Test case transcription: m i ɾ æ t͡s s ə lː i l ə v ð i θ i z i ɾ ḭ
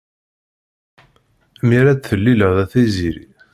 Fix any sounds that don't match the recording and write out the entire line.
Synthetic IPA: m i ɾ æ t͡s θ ə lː i l ə ʁ ð æ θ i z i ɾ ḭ